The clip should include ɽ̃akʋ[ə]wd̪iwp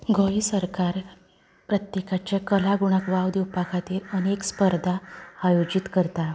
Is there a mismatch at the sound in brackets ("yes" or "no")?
yes